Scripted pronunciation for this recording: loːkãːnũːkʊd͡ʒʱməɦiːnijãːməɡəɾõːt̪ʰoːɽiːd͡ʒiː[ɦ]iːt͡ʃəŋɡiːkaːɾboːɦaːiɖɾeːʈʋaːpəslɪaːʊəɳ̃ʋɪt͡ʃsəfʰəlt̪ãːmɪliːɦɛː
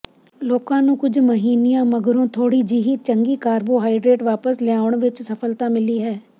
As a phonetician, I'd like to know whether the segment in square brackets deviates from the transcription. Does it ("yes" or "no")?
no